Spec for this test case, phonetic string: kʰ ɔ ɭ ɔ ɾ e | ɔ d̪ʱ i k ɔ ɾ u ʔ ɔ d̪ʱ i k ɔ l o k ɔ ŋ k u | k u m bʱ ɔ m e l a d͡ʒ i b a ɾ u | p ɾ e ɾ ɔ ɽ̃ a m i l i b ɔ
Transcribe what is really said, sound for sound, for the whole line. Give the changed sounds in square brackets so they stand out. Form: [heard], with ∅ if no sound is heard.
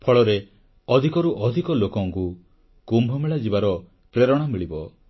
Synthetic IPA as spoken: [pʰ] ɔ ɭ ɔ ɾ e | ɔ d̪ʱ i k ɔ ɾ u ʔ ɔ d̪ʱ i k ɔ l o k ɔ ŋ k u | k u m bʱ ɔ m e [ɭ] a d͡ʒ i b a ɾ [ɔ] | p ɾ e ɾ ɔ ɽ̃ a m i [ɭ] i b ɔ